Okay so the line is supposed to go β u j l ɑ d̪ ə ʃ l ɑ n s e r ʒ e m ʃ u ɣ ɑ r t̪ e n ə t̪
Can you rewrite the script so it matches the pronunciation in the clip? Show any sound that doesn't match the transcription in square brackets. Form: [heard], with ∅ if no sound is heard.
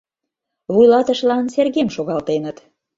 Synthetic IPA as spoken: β u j l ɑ [t̪] ə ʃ l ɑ n s e r [ɣ] e m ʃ [o] ɣ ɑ [l] t̪ e n ə t̪